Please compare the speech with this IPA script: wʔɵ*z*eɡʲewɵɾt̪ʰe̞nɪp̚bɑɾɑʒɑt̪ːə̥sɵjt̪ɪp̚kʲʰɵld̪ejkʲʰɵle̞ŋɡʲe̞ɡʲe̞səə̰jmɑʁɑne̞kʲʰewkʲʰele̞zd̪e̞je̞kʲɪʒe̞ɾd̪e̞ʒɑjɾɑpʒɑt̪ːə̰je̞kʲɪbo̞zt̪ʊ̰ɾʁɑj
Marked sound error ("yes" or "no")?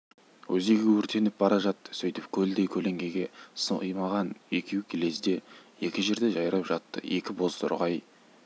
no